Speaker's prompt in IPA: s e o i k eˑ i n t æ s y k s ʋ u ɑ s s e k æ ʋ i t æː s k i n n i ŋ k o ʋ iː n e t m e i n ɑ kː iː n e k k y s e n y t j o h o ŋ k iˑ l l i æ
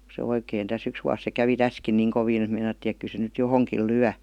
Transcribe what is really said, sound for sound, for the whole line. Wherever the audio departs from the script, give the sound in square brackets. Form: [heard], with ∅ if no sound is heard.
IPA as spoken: s e o i k eˑ i n t æ s y k s ʋ u ɑ s s e k æ ʋ i t [æ] s k i n n [iː] ŋ k o ʋ iː n e t m e i n ɑ [tː] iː n e k k y s e n y t j o h o ŋ k iˑ l l [y] æ